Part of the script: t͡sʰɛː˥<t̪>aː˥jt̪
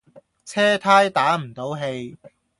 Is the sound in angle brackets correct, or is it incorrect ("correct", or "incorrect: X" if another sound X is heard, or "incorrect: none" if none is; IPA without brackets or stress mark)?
incorrect: t̪ʰ